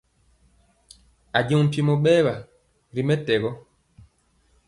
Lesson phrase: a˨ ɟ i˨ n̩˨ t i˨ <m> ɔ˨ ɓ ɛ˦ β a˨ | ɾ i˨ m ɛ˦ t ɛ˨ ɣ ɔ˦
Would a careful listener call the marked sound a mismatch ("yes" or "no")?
no